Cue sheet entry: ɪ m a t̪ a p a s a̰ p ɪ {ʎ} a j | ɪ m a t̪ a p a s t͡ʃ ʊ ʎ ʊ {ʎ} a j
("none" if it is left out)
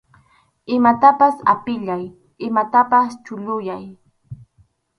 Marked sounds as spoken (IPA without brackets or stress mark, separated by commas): ʎ, j